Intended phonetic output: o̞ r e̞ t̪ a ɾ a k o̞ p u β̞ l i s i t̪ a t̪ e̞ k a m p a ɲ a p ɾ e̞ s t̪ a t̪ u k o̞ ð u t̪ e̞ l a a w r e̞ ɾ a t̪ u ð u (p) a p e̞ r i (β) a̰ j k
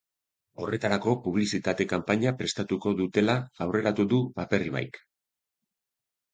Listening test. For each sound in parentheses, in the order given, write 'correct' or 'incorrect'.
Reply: correct, correct

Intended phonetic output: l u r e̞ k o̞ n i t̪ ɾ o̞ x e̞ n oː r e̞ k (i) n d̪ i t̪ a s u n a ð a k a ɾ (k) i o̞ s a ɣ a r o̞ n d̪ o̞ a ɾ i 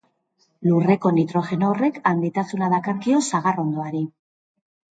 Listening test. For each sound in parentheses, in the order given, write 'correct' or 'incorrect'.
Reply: incorrect, correct

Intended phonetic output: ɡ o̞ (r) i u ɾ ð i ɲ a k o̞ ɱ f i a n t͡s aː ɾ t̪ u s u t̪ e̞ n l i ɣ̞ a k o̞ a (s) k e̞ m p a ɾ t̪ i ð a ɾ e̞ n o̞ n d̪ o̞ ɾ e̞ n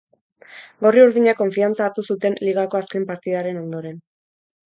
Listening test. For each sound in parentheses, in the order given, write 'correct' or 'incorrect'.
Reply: correct, correct

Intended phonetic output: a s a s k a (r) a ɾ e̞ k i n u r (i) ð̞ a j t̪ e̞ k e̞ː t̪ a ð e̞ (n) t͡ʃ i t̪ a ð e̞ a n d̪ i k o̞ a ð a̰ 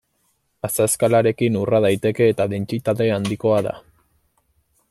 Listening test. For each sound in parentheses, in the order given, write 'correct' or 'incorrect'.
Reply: incorrect, incorrect, correct

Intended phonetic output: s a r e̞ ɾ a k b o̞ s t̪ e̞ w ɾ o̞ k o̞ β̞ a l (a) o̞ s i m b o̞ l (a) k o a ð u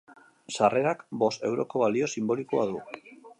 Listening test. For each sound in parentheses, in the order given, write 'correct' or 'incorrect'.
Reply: incorrect, incorrect

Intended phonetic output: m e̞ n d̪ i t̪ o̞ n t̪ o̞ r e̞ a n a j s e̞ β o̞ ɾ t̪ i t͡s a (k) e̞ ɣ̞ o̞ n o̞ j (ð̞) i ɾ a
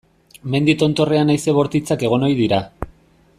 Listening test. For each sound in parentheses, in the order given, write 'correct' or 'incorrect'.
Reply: correct, correct

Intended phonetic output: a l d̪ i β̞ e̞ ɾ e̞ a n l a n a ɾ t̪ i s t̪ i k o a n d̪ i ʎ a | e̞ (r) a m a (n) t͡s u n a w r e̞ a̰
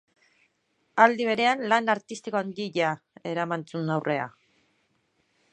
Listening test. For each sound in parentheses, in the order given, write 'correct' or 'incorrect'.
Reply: incorrect, correct

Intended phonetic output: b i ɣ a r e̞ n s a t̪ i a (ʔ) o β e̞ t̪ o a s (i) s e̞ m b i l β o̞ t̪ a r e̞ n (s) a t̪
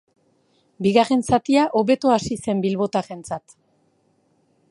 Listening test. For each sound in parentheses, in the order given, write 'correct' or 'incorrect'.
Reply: correct, correct, incorrect

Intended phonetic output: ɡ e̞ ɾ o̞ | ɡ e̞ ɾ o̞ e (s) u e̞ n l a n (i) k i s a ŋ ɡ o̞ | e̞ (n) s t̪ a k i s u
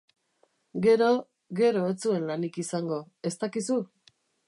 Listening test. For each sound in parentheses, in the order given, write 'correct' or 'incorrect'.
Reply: incorrect, correct, incorrect

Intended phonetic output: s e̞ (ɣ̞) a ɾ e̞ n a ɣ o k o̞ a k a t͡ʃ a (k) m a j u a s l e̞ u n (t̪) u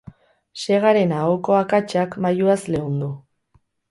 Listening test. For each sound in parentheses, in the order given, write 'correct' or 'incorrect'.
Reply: correct, correct, incorrect

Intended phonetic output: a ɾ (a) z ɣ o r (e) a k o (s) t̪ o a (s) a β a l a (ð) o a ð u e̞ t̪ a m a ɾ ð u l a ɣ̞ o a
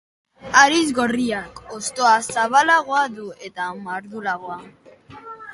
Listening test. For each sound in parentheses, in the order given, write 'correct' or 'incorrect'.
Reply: incorrect, incorrect, correct, correct, incorrect

